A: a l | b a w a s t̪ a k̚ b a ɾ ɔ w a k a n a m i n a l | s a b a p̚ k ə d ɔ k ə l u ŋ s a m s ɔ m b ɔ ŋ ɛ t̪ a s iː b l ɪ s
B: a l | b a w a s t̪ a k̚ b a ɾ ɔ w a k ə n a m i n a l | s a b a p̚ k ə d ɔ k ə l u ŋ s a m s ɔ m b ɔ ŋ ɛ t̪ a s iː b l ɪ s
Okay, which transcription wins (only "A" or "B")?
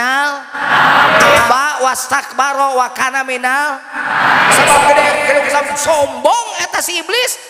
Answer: A